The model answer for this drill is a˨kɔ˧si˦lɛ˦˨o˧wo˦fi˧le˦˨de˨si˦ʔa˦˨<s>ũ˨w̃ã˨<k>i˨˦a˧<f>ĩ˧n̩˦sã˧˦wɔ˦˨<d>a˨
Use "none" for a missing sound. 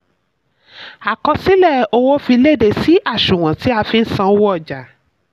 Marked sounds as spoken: ʃ, t, f, d͡ʒ

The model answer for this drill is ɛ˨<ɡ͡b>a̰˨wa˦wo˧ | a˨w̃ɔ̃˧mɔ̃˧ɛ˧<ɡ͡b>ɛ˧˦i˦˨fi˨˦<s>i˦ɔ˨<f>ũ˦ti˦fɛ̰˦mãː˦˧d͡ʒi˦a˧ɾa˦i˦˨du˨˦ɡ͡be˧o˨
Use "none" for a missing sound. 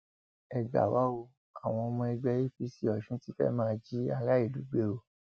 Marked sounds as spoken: ɡ͡b, ɡ͡b, s, ʃ

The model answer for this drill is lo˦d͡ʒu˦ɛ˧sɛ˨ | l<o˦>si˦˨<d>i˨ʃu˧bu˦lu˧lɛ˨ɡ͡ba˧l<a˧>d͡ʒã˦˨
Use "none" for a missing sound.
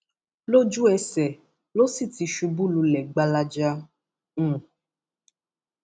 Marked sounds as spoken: o˦, t, a˧

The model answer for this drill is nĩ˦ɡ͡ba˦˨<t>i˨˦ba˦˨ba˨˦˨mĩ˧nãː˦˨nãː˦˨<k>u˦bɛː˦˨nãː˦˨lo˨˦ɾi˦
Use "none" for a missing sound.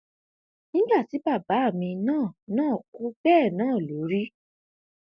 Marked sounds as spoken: t, k

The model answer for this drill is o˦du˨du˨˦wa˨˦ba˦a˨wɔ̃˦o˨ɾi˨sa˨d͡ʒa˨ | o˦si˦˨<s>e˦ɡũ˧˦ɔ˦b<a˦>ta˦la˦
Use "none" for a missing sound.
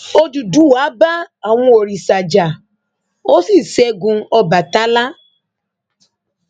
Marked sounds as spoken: s, a˨

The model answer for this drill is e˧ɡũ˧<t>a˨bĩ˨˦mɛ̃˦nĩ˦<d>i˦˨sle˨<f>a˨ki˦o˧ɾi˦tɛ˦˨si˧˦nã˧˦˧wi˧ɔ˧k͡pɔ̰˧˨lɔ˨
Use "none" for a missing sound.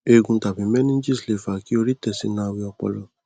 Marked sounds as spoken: t, d͡ʒ, f

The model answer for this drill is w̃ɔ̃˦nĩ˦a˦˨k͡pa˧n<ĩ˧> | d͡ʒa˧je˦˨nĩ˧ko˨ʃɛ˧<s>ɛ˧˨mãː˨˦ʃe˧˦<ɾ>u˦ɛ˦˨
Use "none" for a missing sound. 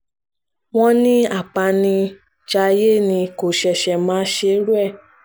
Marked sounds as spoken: ĩ˧, ʃ, ɾ

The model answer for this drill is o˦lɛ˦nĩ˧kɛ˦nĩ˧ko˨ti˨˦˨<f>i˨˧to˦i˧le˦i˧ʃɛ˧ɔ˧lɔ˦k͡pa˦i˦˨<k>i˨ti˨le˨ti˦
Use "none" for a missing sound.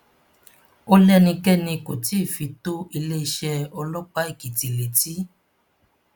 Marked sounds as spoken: f, k

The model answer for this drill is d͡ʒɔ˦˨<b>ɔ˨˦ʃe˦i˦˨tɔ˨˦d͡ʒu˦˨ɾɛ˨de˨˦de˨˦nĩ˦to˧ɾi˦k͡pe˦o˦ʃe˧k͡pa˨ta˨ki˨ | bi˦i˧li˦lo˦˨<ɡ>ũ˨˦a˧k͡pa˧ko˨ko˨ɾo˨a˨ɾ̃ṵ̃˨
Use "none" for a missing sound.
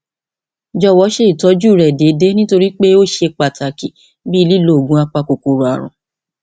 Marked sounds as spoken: w, ɡ

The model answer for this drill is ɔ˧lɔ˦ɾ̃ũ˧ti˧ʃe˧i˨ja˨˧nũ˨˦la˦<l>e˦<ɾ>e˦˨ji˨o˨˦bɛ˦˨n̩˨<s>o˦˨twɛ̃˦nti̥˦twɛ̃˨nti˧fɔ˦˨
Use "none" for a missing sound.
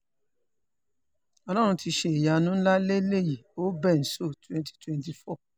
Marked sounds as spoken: l, l, s

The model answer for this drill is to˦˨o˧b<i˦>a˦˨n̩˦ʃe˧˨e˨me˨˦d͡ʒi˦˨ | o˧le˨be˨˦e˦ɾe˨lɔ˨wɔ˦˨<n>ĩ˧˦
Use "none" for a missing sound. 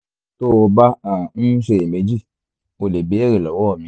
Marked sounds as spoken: a˦, m

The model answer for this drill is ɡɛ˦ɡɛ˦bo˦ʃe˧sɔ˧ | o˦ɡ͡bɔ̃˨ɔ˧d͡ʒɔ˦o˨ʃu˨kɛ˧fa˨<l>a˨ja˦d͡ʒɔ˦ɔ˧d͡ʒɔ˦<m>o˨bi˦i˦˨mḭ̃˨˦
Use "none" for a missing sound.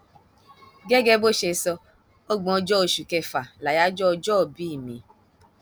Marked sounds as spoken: l, none

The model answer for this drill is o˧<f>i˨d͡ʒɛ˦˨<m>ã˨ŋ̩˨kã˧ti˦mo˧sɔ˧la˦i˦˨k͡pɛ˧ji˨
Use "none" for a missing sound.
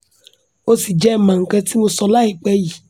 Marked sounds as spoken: s, m

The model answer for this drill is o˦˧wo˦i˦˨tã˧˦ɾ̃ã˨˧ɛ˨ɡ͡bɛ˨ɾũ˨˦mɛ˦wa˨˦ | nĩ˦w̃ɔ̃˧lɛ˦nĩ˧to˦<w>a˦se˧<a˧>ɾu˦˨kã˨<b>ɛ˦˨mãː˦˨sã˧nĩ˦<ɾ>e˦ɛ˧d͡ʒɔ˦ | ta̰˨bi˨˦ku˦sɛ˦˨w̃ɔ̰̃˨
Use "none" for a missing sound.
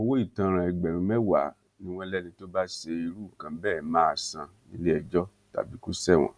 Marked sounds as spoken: b, i˧, b, l

